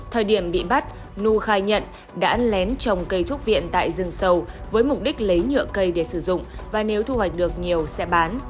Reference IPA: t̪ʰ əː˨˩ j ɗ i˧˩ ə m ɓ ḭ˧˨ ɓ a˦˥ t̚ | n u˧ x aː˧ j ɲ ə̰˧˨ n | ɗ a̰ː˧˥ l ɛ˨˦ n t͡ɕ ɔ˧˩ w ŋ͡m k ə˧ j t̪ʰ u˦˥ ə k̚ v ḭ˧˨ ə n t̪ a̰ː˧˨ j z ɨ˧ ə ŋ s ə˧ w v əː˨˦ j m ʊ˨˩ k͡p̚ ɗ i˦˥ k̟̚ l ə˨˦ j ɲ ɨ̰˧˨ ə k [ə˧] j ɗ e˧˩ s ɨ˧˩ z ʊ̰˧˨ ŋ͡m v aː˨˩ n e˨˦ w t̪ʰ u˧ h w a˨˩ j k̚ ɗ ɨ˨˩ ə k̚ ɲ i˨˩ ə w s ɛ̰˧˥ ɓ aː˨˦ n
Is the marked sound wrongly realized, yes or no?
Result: no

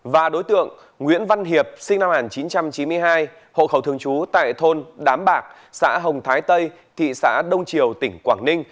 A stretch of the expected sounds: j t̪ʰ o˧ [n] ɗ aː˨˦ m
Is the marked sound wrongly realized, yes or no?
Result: no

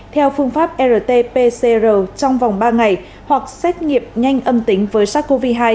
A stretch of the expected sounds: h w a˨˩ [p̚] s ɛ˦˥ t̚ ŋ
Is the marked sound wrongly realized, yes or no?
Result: yes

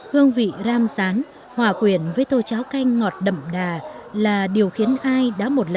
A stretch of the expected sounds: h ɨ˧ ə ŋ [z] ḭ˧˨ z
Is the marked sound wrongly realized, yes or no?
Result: yes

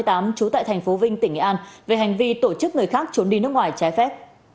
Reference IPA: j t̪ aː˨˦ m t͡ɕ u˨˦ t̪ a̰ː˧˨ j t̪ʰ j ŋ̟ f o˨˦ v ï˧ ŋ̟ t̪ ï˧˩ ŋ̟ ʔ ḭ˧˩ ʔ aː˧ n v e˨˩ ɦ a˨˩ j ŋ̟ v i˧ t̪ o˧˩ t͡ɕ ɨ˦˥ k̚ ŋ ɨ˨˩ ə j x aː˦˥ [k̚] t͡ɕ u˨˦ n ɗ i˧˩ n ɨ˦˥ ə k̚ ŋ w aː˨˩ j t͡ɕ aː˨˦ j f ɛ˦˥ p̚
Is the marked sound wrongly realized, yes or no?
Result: no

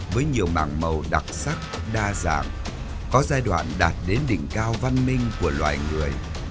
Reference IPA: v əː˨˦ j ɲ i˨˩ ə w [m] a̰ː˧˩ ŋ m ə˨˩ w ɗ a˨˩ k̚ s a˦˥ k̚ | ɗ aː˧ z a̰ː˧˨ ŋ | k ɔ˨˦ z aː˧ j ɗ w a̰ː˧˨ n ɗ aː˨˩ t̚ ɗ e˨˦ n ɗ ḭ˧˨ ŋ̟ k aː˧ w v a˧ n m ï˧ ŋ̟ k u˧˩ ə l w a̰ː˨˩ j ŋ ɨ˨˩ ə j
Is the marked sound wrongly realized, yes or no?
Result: no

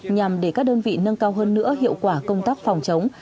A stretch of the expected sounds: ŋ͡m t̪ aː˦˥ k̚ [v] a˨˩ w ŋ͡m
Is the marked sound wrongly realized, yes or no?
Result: yes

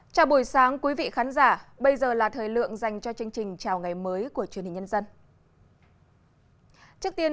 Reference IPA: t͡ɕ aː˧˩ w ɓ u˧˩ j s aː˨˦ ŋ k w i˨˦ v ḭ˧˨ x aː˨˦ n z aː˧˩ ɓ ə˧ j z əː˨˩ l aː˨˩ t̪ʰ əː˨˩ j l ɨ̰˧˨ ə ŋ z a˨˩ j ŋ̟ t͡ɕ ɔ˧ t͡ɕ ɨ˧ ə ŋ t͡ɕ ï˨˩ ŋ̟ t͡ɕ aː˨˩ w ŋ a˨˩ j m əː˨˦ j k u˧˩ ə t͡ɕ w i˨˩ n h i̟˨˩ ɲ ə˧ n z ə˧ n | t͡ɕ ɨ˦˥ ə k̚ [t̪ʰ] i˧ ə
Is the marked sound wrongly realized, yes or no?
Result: yes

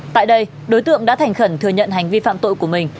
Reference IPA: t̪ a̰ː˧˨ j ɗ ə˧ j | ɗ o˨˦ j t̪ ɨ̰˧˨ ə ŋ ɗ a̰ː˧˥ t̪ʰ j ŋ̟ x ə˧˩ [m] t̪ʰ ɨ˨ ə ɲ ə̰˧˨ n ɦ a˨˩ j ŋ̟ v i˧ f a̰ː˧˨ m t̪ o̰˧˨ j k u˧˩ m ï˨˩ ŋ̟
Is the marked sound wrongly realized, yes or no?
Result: yes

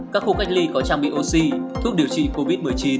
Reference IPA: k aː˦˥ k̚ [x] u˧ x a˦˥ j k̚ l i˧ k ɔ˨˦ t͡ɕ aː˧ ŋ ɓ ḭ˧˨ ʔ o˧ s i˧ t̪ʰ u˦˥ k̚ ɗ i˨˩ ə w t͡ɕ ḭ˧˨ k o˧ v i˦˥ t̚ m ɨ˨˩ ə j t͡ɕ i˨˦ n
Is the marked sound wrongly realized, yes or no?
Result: no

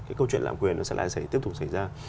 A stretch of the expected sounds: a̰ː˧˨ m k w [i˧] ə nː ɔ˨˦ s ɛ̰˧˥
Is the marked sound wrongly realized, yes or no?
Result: yes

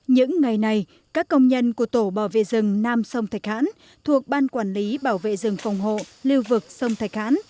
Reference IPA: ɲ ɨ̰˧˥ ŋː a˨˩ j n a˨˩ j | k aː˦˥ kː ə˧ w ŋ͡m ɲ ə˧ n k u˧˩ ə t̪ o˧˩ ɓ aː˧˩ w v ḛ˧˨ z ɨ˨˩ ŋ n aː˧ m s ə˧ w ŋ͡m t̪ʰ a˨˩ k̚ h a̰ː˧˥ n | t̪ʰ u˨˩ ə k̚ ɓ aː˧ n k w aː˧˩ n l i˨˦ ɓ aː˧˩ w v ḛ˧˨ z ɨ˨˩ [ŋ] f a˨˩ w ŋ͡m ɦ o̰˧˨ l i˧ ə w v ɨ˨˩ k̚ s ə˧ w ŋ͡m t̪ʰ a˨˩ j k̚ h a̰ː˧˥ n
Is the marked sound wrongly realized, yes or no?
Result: no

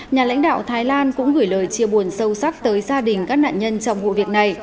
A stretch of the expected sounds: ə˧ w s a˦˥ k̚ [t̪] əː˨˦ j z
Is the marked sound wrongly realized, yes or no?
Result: no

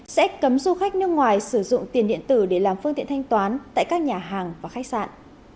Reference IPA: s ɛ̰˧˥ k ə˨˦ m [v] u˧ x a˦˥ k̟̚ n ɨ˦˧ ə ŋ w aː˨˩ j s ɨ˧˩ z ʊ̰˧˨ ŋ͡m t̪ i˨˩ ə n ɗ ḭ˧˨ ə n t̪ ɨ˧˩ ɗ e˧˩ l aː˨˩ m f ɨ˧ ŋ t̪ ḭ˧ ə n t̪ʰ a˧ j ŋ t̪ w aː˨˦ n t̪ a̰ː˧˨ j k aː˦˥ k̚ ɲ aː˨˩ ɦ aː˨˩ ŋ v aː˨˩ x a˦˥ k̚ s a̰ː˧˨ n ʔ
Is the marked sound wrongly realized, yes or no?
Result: yes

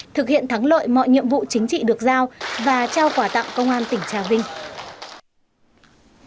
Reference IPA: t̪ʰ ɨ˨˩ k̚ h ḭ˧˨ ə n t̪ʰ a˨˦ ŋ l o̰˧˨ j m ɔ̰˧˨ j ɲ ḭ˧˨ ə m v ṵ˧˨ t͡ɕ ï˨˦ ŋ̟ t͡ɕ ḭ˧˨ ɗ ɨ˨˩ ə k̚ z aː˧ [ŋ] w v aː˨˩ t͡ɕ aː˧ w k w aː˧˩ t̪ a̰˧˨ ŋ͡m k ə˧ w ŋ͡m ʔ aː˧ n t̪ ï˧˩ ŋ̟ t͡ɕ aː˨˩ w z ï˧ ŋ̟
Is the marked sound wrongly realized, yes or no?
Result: yes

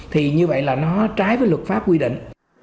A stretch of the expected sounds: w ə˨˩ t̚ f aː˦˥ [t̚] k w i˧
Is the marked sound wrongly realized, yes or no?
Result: yes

